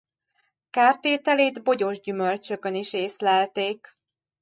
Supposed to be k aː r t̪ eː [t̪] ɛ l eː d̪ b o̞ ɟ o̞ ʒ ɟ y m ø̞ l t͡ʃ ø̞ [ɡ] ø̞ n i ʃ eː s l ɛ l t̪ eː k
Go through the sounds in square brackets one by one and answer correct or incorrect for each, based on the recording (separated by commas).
correct, incorrect